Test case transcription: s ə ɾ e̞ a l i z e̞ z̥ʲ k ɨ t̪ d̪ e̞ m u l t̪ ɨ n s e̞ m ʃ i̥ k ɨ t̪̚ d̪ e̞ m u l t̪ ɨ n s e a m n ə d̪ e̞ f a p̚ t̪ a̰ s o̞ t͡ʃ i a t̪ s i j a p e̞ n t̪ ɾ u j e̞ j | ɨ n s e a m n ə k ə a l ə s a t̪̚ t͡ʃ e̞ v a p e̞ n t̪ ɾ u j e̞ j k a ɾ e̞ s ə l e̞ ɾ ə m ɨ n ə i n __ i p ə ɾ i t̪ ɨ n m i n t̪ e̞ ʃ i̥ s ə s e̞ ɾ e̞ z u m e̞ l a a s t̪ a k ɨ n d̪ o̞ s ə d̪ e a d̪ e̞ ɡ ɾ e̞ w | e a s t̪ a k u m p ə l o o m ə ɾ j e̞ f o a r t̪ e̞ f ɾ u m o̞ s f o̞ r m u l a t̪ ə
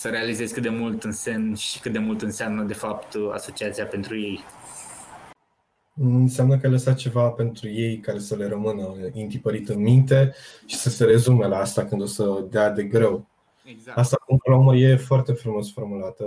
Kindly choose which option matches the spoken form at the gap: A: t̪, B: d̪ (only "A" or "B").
A